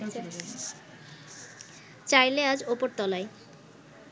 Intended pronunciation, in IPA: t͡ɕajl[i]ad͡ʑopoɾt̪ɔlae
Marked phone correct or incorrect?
incorrect